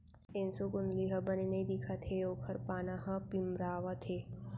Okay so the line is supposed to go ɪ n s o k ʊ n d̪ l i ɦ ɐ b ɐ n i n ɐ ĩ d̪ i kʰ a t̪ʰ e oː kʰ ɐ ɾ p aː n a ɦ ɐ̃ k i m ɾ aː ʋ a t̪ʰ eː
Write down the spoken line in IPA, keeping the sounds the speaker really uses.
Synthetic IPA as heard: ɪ n s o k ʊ n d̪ l i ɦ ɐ b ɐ n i n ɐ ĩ d̪ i kʰ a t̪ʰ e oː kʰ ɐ ɾ p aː n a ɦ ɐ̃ p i m ɾ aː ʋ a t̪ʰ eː